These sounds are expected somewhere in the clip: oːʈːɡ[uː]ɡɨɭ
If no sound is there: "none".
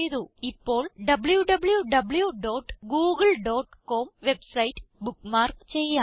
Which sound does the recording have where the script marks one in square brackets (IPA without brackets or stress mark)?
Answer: uː